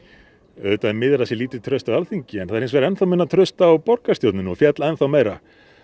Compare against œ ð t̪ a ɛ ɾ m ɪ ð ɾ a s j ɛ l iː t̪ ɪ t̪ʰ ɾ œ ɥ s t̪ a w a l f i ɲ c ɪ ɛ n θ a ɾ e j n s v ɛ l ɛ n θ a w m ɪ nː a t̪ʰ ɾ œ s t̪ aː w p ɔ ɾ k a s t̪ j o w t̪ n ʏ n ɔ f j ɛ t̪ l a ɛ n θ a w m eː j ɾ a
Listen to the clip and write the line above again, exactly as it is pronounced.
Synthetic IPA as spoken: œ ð t̪ a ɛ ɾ m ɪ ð ɾ a s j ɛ l iː t̪ ɪ t̪ʰ ɾ œ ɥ s t̪ a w a l θ i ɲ c ɪ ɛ n θ a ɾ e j n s v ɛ ɾ ɛ n θ a w m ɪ nː a t̪ʰ ɾ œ s t̪ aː w p ɔ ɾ k a s t̪ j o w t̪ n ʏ n ɔ f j ɛ t̪ l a ɛ n θ a w m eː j ɾ a